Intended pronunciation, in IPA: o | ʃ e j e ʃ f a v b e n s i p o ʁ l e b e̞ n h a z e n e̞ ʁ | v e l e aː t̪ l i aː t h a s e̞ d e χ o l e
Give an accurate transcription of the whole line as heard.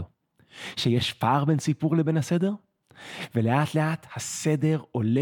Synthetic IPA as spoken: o | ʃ e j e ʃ f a ʁ b e n s i p u ʁ l e b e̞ n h a s e d e̞ ʁ | v e l e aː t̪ l e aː t h a s e̞ d e ʁ o l e